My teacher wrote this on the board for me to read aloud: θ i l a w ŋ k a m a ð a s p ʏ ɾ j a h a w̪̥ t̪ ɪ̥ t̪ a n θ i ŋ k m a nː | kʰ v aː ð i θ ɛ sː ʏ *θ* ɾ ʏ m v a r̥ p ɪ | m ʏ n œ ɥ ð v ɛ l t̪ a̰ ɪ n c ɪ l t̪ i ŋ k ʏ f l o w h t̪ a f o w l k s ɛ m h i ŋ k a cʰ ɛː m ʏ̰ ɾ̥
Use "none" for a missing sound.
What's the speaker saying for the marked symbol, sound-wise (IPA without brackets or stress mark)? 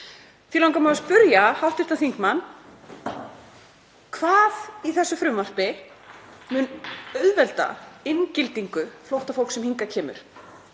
f